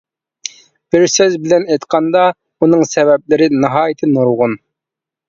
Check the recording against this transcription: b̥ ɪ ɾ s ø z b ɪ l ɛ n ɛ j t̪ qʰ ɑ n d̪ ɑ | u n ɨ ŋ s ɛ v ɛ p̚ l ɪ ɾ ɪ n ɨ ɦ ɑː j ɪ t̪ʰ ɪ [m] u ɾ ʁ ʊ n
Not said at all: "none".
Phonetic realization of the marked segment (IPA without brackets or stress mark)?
n